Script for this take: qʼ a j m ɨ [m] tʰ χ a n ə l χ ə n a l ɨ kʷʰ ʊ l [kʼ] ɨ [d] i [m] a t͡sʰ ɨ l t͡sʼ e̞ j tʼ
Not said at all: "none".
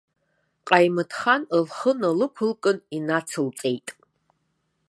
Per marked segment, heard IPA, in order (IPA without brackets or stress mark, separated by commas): none, kʼ, n, n